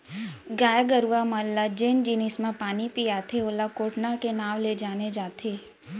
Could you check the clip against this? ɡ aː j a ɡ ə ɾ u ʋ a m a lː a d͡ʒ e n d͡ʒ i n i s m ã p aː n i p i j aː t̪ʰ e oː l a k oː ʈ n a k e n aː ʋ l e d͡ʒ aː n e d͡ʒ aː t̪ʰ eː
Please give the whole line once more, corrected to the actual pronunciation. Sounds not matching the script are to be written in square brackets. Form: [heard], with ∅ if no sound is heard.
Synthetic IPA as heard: ɡ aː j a ɡ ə ɾ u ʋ a m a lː a d͡ʒ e n d͡ʒ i n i s m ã p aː n i p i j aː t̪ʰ e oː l a k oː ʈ n a k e n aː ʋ l e d͡ʒ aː n e d͡ʒ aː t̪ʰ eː